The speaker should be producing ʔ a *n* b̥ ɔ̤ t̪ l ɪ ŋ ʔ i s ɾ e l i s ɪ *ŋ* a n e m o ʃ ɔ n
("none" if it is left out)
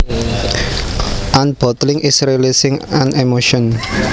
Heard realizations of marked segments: n, ŋ

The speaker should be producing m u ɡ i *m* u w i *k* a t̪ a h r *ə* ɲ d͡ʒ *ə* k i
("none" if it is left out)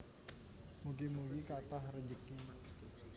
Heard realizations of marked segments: m, k, ə, ə

